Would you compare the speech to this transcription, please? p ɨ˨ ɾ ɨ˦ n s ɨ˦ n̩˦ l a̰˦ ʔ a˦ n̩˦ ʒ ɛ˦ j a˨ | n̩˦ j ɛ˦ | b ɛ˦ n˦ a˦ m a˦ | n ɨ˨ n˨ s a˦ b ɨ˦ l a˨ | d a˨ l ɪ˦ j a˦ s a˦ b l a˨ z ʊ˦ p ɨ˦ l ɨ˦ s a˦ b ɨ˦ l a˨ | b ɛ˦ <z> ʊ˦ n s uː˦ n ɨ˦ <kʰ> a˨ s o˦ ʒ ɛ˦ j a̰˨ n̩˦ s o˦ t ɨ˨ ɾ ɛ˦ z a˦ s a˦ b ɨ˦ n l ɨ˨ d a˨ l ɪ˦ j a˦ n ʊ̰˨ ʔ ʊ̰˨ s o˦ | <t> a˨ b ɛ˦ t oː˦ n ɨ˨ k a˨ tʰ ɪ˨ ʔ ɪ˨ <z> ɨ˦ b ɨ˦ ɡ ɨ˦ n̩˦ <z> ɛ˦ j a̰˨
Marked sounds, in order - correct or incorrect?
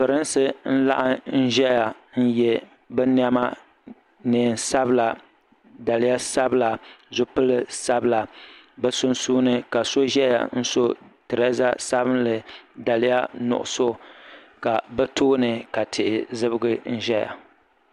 incorrect: s, incorrect: k, incorrect: k, correct, incorrect: ʒ

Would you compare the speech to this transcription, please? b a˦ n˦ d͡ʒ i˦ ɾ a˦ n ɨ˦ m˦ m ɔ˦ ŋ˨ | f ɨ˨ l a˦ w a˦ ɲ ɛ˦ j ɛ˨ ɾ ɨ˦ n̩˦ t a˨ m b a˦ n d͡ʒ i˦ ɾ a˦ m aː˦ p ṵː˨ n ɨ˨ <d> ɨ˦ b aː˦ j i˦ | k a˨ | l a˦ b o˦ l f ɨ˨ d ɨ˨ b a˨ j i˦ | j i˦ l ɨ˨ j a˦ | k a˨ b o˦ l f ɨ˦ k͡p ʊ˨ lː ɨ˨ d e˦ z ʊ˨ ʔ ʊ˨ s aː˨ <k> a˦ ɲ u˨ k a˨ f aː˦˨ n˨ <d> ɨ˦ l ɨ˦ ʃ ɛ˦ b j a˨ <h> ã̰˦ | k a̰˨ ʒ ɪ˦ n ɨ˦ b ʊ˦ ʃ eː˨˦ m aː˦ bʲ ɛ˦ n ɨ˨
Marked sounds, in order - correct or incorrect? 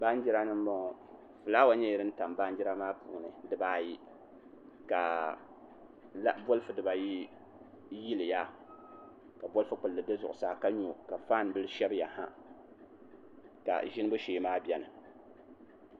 correct, correct, incorrect: b, correct

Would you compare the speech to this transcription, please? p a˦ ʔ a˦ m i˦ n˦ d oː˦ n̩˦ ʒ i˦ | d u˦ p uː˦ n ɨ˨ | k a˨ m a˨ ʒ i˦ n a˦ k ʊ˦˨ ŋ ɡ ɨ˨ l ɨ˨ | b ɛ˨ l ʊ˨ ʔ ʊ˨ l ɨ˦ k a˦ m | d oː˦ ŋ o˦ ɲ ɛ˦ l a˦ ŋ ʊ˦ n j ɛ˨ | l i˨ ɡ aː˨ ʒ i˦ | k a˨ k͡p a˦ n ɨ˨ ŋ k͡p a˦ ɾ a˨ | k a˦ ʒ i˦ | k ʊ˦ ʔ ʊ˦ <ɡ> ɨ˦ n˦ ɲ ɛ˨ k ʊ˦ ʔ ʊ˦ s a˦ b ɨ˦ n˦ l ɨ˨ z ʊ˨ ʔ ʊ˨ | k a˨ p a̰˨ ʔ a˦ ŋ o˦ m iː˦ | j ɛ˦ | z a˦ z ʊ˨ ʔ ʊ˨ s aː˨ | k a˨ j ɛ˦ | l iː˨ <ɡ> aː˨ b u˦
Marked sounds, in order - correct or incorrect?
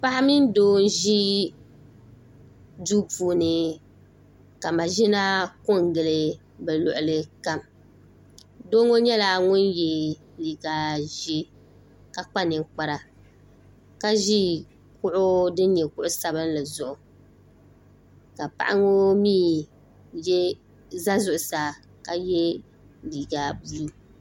incorrect: d, correct

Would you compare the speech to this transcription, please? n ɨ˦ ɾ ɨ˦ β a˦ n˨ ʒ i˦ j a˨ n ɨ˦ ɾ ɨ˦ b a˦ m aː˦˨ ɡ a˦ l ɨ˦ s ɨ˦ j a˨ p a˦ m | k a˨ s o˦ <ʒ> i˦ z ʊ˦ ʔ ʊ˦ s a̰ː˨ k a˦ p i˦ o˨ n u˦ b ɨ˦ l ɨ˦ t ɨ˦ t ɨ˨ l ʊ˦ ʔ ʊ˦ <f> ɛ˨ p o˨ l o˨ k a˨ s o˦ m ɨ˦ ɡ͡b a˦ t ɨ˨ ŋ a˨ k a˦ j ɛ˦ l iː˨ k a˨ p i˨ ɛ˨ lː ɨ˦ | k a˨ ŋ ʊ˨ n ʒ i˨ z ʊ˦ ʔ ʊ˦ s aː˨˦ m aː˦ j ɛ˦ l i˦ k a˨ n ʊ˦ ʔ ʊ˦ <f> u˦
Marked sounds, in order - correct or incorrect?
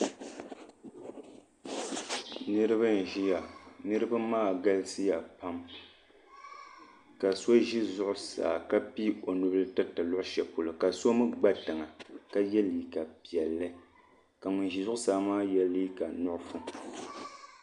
correct, incorrect: ʃ, correct

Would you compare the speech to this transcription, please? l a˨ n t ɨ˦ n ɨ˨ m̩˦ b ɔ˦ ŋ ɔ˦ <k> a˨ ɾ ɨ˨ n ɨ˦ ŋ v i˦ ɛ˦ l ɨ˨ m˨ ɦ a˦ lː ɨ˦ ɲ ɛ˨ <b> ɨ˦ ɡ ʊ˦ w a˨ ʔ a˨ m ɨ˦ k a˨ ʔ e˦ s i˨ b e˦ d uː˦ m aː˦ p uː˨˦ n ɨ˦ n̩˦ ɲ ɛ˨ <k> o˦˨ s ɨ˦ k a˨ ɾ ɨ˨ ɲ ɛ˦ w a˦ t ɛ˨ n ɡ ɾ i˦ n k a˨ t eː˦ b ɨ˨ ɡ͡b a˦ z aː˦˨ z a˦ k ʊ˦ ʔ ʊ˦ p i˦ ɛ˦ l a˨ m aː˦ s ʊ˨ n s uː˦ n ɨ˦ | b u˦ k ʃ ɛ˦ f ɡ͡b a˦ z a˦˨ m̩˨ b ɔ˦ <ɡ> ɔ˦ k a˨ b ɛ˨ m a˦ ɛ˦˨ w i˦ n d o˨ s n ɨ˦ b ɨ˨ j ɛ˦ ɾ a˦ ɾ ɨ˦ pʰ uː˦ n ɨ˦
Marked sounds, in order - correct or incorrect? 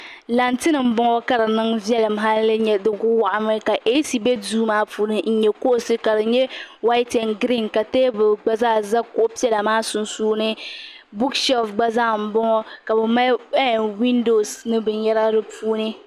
correct, incorrect: d, correct, incorrect: ŋ

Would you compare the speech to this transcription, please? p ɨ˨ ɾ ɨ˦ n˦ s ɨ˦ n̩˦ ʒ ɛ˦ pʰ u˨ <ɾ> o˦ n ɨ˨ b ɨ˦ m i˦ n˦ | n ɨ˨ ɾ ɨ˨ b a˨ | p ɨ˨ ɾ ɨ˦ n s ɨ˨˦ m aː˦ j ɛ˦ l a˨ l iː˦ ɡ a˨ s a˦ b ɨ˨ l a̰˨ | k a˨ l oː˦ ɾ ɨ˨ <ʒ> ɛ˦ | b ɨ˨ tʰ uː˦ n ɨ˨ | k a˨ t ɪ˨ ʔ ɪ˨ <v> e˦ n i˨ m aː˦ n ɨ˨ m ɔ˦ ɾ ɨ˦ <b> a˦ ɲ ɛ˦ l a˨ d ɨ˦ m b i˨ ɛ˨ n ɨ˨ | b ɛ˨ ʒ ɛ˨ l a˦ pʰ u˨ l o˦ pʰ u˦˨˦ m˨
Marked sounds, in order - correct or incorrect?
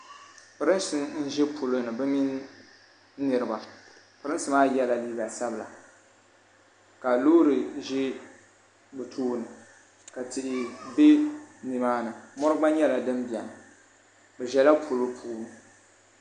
incorrect: l, correct, incorrect: b, incorrect: ɡ͡b

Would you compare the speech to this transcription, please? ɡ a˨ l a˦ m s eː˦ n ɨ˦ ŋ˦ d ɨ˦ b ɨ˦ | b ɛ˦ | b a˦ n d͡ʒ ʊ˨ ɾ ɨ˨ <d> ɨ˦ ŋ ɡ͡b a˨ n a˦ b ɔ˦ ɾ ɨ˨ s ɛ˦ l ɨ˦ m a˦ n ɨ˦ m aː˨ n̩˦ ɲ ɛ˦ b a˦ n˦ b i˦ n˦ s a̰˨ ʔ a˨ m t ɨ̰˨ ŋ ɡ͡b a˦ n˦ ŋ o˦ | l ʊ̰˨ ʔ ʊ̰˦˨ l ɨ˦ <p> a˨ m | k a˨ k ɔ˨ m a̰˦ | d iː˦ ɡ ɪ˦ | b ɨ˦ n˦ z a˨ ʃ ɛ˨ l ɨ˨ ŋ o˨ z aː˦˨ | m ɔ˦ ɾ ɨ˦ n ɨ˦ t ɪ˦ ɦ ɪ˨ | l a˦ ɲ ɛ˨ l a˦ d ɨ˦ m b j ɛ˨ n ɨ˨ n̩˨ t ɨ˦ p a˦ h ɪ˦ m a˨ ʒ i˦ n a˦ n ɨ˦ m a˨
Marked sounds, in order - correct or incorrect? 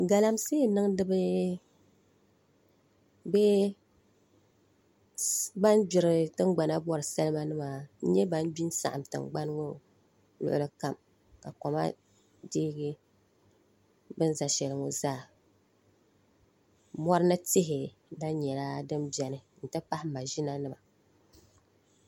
incorrect: t, incorrect: k

